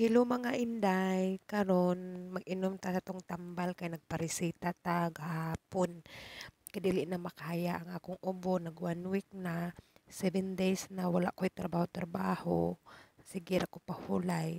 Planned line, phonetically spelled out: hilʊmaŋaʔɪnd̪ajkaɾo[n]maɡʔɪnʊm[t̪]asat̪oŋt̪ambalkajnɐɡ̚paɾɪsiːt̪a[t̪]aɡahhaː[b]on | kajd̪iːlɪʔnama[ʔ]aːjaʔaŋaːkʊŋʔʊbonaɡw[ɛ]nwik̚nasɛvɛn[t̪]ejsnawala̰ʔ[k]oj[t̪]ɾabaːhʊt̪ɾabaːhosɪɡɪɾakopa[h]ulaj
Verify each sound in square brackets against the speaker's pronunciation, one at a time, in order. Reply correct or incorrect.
correct, correct, correct, incorrect, incorrect, incorrect, incorrect, correct, correct, correct

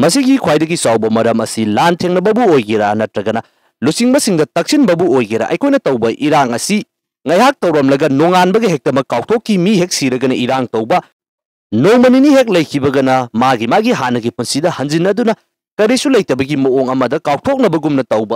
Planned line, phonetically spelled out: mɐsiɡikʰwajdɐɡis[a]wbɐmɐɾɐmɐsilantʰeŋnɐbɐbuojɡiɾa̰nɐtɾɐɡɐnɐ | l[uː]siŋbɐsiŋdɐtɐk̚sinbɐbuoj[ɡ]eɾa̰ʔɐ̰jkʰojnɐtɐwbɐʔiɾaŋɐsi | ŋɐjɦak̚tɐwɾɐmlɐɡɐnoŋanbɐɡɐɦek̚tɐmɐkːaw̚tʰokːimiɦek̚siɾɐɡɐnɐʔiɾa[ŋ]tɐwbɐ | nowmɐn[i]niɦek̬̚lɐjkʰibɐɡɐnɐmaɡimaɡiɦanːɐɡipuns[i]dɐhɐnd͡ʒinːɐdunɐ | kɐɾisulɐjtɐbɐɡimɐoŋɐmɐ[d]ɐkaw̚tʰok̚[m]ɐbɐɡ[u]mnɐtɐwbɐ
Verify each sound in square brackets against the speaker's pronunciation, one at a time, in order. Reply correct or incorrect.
correct, incorrect, correct, correct, correct, correct, correct, incorrect, correct

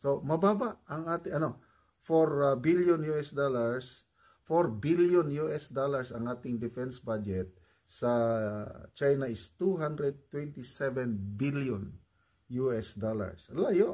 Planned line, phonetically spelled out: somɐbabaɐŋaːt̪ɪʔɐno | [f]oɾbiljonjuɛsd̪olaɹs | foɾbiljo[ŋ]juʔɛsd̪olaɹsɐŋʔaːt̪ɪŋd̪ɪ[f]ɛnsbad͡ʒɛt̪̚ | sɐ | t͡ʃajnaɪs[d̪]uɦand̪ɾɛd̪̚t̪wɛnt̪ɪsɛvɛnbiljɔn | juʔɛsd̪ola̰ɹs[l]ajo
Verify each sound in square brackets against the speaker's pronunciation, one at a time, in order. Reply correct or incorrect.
correct, incorrect, correct, incorrect, correct

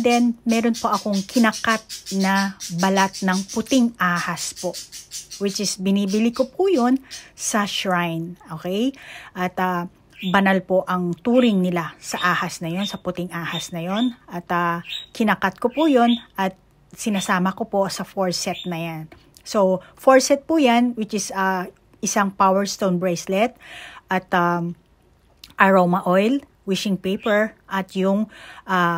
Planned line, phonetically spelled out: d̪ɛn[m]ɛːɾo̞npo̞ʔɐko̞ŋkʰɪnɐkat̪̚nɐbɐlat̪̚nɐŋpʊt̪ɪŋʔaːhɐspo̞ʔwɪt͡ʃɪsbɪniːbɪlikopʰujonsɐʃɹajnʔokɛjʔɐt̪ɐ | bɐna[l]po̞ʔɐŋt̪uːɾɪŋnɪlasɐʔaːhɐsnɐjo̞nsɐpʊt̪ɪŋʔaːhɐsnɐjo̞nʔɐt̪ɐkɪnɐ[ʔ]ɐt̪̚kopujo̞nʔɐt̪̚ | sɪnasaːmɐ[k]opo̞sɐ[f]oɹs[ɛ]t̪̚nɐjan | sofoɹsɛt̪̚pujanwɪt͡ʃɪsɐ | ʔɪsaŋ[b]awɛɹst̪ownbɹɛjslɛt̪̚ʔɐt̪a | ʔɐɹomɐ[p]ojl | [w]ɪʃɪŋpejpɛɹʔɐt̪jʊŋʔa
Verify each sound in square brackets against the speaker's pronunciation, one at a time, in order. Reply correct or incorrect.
correct, correct, incorrect, correct, correct, correct, incorrect, incorrect, correct

